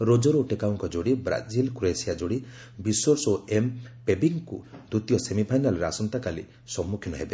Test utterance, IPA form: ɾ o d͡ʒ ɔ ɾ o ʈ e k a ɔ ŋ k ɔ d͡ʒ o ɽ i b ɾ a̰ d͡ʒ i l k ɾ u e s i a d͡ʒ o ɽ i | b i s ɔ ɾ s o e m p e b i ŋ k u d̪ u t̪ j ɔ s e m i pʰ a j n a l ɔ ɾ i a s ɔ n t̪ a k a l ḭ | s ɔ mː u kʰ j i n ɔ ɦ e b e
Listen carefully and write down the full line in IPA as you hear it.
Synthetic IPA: ɾ o d͡ʒ ɔ ɾ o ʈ e k a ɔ ŋ k ɔ d͡ʒ o ɽ i b ɾ a̰ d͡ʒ i l k ɾ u e s i a d͡ʒ o ɽ i | b i s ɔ ɾ s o e m p e b i ŋ k u d̪ u t̪ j ɔ s e m i pʰ a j n a l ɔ ɾ e a s ɔ n t̪ a k a l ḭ | s ɔ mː u kʰ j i n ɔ ɦ e b e